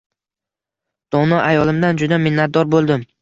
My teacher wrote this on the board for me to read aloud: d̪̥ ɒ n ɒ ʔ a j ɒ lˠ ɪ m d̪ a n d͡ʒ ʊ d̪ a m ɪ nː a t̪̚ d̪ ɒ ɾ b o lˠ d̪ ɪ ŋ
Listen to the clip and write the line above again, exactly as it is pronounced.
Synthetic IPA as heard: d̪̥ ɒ n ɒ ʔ a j ɒ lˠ ɪ m d̪ a n d͡ʒ ʊ d̪ a m ɪ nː a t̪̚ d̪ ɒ ɾ b o lˠ d̪ ɪ m